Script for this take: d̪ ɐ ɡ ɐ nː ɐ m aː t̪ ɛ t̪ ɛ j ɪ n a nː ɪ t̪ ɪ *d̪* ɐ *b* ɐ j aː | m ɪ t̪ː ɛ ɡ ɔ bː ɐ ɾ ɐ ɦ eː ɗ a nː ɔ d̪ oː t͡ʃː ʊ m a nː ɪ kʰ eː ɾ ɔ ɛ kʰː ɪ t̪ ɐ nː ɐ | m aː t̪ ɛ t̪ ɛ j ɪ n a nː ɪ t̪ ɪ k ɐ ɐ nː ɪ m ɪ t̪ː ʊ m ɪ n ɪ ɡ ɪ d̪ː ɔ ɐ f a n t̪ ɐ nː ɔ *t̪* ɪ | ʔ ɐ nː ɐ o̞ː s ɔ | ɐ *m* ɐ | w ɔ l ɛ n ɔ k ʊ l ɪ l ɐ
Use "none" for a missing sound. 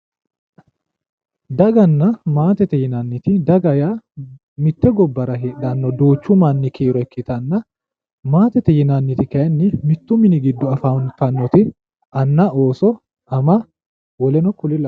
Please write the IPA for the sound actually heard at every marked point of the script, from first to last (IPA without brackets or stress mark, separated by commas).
d̪, ɡ, t̪, m